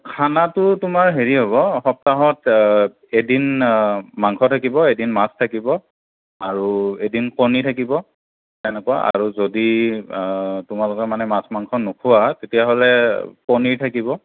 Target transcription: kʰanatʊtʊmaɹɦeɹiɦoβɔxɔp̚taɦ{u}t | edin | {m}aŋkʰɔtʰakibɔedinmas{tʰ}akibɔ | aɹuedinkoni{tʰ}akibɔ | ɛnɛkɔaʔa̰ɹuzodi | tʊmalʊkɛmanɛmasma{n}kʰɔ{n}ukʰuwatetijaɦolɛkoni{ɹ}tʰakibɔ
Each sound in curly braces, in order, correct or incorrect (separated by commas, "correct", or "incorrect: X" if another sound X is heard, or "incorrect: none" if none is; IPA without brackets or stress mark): incorrect: ɔ, correct, correct, correct, incorrect: ŋ, correct, correct